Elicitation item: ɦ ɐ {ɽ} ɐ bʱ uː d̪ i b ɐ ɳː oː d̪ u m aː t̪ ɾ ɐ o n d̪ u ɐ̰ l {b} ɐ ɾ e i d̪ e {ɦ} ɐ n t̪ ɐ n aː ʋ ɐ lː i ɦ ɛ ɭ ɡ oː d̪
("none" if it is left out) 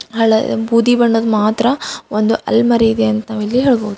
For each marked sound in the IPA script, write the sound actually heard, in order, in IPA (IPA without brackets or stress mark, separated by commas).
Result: ɭ, m, none